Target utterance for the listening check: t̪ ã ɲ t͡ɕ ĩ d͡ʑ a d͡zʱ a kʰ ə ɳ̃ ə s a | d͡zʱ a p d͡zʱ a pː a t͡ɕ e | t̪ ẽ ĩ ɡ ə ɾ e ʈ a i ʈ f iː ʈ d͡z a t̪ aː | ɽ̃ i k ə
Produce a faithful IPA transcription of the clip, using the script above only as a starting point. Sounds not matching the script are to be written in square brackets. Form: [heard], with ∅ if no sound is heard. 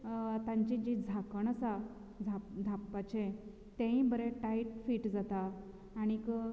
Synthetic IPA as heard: t̪ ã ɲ t͡ɕ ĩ d͡ʑ [i] d͡zʱ a [k] ə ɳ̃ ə s a | d͡zʱ a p d͡zʱ a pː a t͡ɕ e | t̪ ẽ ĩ [b] ə ɾ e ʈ a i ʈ f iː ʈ d͡z a t̪ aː | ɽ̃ i k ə